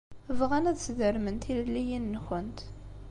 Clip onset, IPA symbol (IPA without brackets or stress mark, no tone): v